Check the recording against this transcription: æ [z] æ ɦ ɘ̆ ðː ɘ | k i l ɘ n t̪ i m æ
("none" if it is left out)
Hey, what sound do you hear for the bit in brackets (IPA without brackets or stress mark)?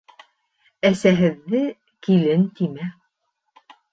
s